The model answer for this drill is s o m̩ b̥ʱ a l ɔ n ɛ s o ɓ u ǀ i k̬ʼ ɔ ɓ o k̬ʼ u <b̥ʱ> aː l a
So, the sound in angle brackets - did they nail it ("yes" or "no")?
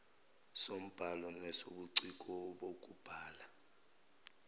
yes